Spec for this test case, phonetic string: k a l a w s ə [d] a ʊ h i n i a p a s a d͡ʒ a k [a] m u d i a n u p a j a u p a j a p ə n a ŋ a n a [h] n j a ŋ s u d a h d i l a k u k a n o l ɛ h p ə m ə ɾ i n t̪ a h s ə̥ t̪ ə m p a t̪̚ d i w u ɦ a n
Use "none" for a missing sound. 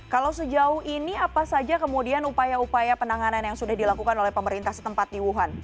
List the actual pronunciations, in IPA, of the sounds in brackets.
d͡ʒ, ə, none

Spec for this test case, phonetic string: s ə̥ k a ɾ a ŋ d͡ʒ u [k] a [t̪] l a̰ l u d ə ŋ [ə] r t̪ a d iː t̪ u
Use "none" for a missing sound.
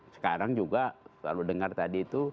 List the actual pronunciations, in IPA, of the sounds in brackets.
ɡ, none, a

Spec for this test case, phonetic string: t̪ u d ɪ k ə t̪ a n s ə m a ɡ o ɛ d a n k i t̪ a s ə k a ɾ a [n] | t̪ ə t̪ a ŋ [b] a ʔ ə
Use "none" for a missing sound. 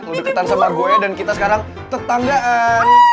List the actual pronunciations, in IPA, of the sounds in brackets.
ŋ, ɡ

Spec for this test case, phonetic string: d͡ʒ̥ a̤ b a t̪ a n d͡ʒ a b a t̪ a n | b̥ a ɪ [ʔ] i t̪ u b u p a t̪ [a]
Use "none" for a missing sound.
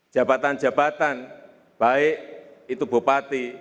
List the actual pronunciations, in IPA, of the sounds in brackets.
ʔ, i

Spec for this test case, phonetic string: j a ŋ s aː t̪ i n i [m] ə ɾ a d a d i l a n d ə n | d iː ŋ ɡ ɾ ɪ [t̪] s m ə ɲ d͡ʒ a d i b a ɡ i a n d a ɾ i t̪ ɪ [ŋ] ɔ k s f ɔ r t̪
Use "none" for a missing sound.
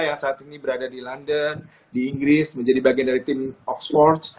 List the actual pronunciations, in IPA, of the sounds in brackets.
b, none, m

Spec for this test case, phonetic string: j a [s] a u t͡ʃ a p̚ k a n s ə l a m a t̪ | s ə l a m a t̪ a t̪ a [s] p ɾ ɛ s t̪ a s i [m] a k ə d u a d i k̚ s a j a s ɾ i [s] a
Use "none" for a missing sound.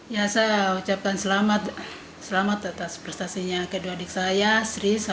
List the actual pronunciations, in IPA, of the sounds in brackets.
s, s, ɲ, s

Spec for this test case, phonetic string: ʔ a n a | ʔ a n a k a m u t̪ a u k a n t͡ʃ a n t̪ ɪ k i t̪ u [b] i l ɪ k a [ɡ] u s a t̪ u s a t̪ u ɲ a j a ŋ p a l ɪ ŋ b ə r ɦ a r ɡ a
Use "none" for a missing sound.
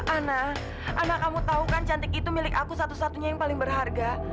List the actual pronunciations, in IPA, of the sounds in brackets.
m, k

